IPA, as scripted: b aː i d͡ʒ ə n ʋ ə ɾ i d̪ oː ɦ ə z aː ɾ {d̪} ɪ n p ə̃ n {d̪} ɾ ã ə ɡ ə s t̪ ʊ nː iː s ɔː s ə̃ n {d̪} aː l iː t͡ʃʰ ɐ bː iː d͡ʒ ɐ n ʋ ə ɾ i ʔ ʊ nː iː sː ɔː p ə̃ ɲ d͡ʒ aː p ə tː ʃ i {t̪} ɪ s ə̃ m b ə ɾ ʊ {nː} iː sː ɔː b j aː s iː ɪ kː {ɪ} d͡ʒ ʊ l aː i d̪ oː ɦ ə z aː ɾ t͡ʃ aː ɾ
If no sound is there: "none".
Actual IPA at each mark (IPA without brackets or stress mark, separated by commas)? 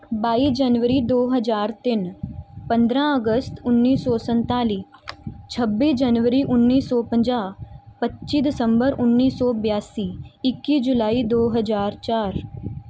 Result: t̪, d̪, t̪, d̪, nː, i